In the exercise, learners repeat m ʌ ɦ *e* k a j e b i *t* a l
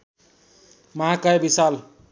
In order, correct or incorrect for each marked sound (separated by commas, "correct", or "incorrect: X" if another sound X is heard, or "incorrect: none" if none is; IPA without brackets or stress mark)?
incorrect: a, incorrect: s